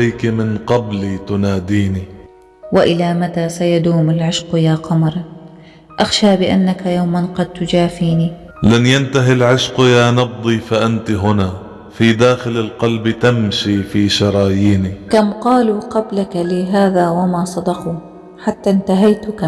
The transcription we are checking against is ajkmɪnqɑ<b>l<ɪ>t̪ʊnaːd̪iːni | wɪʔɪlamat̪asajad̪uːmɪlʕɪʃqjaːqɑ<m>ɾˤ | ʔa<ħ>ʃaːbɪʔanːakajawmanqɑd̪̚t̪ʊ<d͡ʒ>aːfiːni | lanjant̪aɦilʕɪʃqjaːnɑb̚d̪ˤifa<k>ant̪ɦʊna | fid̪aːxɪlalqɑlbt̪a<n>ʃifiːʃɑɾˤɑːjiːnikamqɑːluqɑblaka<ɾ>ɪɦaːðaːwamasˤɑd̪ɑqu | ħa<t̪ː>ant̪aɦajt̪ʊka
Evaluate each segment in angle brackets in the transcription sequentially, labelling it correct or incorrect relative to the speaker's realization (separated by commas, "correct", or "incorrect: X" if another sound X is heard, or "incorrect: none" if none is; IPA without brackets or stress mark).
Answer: correct, incorrect: i, correct, incorrect: x, correct, incorrect: ʔ, incorrect: m, incorrect: l, correct